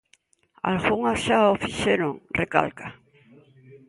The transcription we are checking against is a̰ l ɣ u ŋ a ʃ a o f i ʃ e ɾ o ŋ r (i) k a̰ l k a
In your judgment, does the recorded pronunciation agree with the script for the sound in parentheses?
no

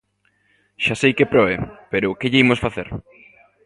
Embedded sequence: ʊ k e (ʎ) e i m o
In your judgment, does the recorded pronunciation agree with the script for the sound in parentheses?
yes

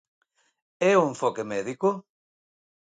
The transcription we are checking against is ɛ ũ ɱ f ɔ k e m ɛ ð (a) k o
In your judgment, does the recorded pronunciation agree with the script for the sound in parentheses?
no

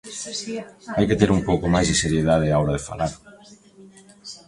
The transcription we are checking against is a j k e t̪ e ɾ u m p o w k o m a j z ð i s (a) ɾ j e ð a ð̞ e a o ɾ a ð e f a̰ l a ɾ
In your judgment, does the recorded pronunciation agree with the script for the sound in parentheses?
no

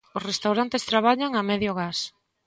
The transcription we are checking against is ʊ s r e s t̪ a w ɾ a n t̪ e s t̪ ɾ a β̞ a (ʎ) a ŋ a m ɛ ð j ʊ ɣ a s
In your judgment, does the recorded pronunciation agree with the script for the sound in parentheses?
yes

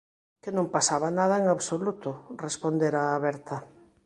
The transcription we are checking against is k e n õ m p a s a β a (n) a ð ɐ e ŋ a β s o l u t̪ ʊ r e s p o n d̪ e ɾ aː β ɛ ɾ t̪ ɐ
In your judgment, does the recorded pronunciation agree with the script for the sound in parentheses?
yes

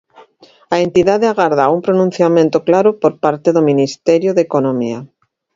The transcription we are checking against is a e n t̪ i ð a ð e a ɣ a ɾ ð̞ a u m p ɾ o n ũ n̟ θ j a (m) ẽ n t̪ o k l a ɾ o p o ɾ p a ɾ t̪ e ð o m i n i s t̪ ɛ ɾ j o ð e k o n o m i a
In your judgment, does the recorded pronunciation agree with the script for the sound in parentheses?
yes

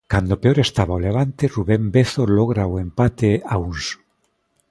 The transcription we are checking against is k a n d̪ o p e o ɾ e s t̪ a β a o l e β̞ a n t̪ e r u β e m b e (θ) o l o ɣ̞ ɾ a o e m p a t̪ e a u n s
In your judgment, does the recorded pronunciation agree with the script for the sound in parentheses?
yes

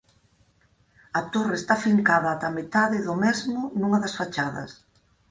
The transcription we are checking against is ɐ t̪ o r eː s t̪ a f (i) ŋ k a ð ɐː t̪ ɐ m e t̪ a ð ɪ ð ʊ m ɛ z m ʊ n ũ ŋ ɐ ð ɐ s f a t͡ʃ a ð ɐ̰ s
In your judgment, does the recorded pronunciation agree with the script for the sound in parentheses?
yes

